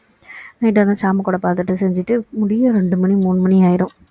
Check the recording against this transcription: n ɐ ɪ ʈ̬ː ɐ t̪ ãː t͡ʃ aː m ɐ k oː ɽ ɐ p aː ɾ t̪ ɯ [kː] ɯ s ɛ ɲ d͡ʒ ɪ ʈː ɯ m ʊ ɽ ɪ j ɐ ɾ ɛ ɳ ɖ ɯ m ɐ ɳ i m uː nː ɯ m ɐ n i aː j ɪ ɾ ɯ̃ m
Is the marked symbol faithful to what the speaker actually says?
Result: no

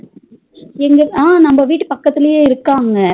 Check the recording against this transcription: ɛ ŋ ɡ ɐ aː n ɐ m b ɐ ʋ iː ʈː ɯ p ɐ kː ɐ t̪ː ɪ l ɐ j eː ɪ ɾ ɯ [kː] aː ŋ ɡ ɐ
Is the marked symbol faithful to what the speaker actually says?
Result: yes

